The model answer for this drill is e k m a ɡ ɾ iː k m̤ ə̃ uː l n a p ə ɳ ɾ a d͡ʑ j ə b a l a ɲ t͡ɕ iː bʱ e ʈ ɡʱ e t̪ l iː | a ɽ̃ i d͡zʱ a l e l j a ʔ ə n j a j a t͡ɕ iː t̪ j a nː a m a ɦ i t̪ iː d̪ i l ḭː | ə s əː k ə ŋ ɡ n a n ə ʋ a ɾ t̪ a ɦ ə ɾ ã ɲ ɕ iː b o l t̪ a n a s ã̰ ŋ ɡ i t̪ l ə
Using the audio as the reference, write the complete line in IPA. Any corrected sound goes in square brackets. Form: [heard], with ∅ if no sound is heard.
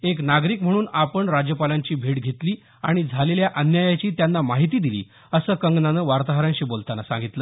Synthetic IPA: e k [n] a ɡ ɾ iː k m̤ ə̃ uː [∅] n a p ə ɳ ɾ a d͡ʑ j ə [p] a l a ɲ t͡ɕ iː bʱ e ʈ ɡʱ e t̪ l iː | a ɽ̃ i d͡zʱ a l e l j a ʔ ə n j a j a t͡ɕ iː t̪ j a nː a m a ɦ i t̪ iː d̪ i l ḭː | ə s əː k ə ŋ ɡ n a n ə ʋ a ɾ t̪ a ɦ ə ɾ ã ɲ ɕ iː b o l t̪ a n a s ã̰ ŋ ɡ i t̪ l ə